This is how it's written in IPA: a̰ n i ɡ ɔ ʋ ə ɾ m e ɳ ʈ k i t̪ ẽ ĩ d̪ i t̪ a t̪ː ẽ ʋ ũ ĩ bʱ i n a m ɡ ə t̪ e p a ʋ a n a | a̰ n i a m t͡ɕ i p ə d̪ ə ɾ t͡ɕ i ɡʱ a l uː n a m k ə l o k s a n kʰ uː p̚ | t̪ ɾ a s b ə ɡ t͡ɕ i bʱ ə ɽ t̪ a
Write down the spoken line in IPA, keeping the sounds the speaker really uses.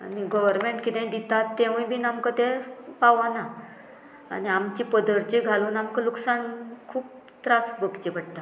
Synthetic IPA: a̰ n i ɡ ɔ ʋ ə ɾ m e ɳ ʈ k i t̪ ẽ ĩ d̪ i t̪ a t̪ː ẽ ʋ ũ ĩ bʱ i n a m k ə t̪ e p a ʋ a n a | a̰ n i a m t͡ɕ i p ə d̪ ə ɾ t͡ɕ i ɡʱ a l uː n a m k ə l u k s a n kʰ uː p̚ | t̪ ɾ a s b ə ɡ t͡ɕ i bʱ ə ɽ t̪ a